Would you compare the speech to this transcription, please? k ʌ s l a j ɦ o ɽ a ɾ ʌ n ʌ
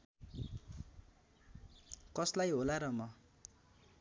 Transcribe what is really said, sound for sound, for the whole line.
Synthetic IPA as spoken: k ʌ s l a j ɦ o l a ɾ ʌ m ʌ